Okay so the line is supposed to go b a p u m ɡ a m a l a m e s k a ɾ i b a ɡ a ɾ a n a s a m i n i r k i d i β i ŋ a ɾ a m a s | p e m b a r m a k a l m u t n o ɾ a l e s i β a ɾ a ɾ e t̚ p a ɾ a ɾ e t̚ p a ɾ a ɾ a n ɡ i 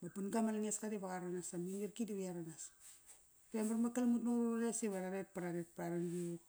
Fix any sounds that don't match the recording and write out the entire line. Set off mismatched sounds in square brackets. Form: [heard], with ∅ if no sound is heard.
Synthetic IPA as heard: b a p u [n] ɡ a m a l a [ŋ] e s k a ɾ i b a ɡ a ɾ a n a s a m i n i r k i d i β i [∅] a ɾ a [n] a s | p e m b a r m a k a l m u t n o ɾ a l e s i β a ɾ a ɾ e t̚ p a ɾ a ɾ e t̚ p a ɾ a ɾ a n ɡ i